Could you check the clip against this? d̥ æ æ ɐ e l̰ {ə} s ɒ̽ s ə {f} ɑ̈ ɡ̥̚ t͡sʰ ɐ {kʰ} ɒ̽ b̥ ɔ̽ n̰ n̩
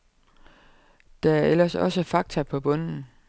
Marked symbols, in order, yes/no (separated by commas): no, yes, no